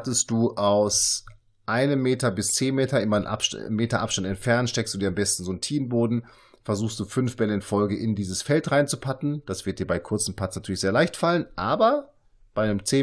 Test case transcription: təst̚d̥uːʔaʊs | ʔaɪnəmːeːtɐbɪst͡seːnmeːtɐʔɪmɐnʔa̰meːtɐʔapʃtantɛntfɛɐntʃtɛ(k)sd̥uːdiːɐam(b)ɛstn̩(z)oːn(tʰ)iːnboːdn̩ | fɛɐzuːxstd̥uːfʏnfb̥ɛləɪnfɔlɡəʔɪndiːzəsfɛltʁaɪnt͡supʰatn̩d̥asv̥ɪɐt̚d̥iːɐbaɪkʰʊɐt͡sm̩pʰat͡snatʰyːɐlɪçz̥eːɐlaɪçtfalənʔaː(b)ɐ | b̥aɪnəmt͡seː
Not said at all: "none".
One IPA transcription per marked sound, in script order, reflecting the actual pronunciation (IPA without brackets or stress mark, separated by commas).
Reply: k, b, z, tʰ, b